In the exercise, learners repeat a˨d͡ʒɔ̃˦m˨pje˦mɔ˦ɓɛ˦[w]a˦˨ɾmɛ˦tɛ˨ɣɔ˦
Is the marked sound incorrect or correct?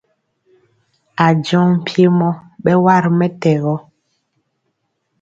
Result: correct